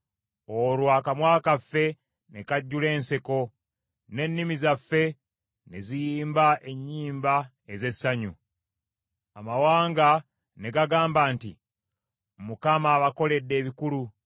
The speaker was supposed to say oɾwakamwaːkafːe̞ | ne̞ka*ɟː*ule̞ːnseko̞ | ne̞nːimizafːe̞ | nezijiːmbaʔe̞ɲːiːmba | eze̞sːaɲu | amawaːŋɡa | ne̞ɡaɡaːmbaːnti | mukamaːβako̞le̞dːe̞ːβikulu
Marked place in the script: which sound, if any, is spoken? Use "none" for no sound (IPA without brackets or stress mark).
ɟː